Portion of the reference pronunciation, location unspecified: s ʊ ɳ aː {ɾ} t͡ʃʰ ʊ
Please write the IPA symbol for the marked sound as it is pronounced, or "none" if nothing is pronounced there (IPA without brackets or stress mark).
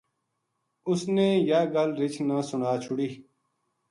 none